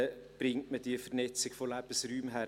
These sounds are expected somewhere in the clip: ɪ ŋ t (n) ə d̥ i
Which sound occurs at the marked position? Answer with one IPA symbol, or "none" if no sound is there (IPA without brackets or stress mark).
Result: m